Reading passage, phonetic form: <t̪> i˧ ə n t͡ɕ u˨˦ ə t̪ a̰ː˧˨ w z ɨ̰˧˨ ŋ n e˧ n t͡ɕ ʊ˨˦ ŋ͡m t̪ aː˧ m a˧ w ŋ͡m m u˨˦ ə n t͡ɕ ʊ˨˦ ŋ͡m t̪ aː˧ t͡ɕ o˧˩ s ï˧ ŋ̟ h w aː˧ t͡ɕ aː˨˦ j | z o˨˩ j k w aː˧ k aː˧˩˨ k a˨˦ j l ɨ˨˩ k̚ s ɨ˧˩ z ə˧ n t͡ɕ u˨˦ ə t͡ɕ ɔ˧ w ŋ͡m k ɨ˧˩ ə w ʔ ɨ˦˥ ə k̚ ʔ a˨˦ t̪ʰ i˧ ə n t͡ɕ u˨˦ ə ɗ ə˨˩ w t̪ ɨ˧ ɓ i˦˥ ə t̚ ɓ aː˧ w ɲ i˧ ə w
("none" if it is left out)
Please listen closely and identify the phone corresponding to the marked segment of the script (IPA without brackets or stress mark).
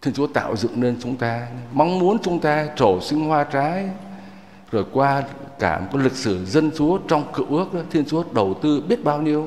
t̪ʰ